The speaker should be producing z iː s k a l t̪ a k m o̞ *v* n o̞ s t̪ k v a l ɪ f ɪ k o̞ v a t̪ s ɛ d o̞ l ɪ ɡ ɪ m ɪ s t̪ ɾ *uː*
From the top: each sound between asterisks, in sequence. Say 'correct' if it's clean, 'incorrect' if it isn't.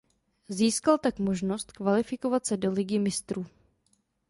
incorrect, correct

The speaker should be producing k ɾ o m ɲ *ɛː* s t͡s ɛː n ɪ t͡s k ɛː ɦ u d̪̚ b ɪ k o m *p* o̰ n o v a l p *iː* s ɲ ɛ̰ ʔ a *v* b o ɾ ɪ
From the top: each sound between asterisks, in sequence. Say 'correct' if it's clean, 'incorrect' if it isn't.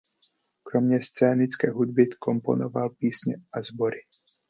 incorrect, correct, correct, incorrect

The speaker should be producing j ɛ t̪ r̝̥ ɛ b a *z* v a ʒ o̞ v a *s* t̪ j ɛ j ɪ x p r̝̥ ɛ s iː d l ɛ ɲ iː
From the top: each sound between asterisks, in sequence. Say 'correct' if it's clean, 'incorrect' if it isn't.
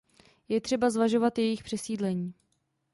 correct, incorrect

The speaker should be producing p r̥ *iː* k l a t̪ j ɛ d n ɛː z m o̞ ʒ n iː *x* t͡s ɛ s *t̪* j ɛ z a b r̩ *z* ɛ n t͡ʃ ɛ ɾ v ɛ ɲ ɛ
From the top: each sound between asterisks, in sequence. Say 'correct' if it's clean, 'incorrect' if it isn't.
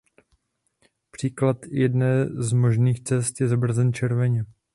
correct, correct, correct, correct

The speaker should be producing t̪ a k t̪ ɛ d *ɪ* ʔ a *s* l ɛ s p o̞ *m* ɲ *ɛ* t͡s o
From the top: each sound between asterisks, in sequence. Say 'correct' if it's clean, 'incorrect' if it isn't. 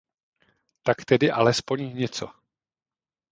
correct, incorrect, incorrect, correct

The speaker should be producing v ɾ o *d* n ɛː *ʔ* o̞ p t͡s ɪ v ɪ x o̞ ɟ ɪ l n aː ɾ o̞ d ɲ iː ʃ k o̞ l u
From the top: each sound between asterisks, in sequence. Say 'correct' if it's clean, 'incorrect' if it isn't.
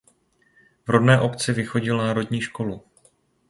correct, correct

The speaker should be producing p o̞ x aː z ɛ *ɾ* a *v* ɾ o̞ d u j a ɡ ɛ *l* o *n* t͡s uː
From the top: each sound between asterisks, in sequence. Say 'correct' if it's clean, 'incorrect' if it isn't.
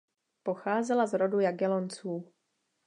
incorrect, incorrect, correct, correct

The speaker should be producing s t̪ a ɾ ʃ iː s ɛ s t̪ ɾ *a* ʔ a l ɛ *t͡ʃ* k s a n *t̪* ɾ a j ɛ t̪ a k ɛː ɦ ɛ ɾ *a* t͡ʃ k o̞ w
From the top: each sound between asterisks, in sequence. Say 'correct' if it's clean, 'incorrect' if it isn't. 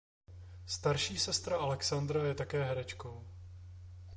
correct, incorrect, incorrect, incorrect

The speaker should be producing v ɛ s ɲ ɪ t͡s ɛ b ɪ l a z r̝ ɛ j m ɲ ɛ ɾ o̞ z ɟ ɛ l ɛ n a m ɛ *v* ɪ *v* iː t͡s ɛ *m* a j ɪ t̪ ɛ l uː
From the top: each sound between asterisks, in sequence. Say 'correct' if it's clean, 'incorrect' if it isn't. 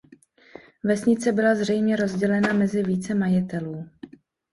incorrect, correct, correct

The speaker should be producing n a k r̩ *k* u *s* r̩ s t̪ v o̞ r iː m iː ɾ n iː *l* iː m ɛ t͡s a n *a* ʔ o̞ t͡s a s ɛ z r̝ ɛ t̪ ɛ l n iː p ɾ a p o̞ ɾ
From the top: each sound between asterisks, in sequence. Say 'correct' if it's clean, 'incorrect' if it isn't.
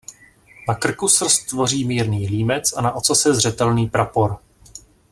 correct, correct, correct, correct

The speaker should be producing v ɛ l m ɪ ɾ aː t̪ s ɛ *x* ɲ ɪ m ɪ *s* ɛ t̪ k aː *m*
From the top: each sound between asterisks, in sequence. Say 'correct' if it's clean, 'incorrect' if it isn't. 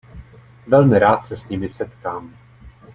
incorrect, correct, correct

